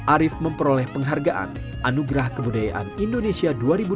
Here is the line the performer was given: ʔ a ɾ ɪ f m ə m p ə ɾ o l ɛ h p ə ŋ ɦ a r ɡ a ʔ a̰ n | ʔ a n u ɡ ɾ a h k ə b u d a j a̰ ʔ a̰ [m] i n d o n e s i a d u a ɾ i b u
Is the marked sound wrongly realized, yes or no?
yes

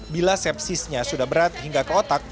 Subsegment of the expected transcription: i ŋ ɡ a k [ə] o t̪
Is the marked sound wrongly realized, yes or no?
no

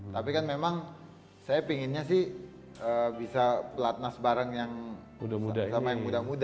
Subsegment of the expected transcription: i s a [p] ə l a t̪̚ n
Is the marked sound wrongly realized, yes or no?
no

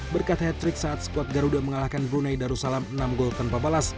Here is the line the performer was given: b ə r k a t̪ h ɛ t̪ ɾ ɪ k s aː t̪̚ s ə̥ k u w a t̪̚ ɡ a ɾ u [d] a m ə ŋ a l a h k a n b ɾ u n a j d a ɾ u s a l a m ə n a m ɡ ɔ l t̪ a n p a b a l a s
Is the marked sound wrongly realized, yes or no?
no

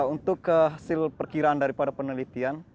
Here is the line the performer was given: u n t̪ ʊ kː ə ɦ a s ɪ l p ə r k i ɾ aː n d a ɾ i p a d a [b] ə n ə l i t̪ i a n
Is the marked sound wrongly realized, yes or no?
yes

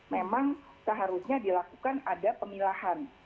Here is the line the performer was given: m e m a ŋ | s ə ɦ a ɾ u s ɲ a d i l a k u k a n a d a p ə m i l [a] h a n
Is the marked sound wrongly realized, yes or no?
no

